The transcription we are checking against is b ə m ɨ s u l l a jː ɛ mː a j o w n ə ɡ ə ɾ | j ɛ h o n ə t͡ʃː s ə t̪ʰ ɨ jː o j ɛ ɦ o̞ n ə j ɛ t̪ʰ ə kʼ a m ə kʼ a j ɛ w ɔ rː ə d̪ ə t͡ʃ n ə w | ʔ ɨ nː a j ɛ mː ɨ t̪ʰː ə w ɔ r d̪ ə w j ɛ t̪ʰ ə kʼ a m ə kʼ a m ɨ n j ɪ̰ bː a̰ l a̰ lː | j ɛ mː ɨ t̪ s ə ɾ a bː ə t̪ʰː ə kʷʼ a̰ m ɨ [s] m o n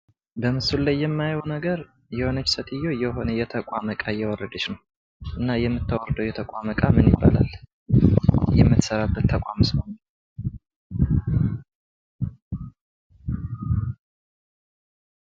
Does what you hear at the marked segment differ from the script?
no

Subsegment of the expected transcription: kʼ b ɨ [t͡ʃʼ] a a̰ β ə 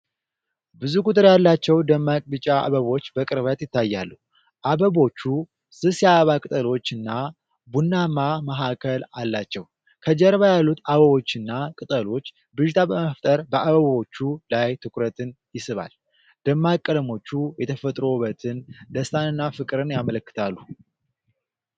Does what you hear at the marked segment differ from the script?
no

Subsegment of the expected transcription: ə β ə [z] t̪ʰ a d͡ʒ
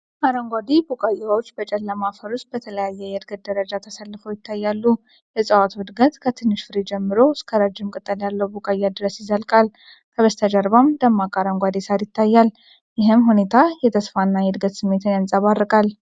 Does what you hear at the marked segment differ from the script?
yes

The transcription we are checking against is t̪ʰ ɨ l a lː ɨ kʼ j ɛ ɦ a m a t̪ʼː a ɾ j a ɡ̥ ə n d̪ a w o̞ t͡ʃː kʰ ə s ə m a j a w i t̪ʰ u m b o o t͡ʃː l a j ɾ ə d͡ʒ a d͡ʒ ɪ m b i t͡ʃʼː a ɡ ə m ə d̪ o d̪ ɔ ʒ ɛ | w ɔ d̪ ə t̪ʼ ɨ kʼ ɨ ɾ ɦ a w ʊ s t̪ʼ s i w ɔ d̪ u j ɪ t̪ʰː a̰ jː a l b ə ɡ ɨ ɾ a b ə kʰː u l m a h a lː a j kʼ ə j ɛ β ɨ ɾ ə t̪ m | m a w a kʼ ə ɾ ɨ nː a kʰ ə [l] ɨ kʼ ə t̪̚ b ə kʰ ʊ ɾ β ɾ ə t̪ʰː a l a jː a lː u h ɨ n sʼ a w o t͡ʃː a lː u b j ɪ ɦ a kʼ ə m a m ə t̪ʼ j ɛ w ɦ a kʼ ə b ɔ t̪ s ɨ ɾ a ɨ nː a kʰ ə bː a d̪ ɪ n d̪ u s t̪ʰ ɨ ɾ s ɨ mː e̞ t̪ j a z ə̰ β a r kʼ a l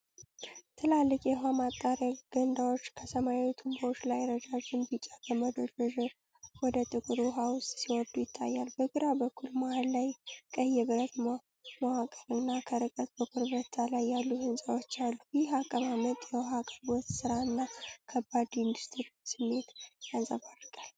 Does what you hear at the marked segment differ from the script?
yes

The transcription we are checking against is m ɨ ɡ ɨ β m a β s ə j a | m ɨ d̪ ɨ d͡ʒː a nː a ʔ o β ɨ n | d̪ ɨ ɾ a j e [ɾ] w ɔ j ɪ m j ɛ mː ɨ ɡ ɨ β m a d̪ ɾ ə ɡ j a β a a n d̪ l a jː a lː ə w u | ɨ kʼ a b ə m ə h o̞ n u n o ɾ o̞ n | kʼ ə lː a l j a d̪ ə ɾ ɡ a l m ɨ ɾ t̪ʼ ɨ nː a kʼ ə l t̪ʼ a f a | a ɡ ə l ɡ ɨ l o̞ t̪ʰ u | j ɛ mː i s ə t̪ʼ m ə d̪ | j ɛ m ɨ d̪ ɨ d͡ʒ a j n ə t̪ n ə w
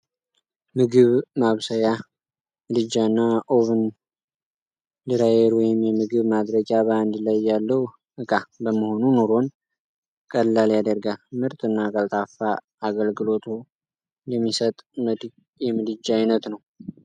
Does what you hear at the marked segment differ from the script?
no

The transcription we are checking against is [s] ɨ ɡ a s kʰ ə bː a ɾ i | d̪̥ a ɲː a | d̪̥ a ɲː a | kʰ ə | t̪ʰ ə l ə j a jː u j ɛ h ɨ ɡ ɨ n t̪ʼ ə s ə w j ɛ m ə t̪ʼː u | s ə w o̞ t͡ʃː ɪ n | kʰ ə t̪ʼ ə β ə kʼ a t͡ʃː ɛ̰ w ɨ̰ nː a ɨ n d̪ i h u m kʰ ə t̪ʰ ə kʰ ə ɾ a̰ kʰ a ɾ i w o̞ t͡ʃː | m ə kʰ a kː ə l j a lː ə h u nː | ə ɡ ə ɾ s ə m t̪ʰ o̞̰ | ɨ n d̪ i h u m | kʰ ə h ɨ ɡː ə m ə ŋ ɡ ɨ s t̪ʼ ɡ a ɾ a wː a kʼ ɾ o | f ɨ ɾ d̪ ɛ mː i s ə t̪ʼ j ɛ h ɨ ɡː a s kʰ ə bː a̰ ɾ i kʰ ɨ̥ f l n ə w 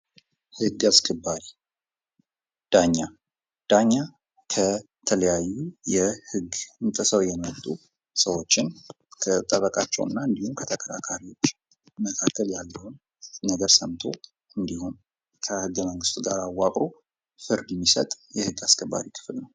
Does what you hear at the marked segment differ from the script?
yes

